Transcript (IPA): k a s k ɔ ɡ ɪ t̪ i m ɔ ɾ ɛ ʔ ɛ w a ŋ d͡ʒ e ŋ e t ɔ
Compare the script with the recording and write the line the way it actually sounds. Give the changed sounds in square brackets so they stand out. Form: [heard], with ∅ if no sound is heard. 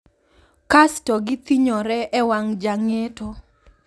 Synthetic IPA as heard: k a s [t] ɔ ɡ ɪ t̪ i [ɲ] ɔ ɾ ɛ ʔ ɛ w a ŋ d͡ʒ [a] ŋ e t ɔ